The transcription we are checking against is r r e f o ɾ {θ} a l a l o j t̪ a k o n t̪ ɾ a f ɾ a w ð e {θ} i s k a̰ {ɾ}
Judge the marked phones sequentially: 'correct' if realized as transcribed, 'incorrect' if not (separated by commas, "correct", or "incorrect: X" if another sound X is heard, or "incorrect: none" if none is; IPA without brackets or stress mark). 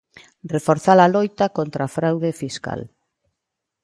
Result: correct, incorrect: f, incorrect: l